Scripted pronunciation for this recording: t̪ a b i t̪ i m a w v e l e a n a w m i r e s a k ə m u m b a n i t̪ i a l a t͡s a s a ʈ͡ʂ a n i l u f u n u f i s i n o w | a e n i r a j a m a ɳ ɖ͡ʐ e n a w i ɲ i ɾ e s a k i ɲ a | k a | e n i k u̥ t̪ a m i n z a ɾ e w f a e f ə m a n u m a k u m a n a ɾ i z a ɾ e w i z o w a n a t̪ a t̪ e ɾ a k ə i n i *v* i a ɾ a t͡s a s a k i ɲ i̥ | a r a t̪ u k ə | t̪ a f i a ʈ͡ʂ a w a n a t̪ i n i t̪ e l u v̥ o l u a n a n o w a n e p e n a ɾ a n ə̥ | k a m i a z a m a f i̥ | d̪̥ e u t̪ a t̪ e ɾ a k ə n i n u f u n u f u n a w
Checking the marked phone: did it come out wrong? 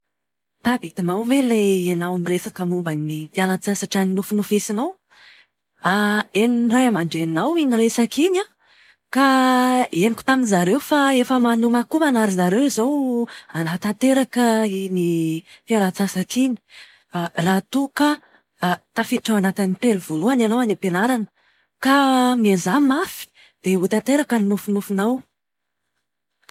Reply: yes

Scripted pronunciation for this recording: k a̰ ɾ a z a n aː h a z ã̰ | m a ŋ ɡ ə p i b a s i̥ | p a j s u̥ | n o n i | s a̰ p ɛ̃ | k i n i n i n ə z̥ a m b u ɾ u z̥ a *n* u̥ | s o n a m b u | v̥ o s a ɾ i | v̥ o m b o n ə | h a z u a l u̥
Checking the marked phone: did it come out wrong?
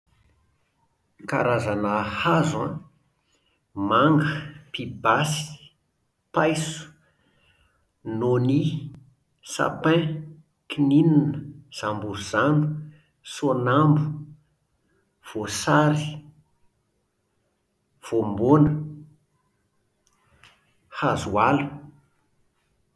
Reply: no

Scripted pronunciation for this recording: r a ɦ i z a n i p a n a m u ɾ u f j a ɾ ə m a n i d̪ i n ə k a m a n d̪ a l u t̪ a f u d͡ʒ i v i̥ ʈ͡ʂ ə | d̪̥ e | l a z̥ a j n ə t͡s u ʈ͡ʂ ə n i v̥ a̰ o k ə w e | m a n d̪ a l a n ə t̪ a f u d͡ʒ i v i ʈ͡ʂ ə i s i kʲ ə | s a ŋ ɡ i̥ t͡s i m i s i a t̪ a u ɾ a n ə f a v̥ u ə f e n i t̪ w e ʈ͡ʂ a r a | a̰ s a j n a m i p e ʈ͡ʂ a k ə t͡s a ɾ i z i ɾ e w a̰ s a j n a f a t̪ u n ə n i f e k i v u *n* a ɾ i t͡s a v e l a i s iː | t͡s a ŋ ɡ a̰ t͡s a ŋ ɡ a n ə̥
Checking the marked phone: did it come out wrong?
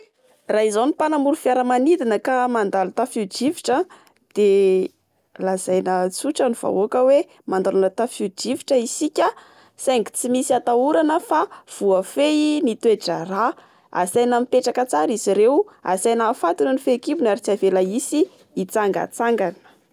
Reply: no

